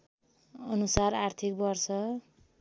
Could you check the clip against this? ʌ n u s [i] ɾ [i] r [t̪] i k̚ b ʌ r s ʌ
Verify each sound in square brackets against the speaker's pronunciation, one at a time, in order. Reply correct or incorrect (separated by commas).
incorrect, incorrect, incorrect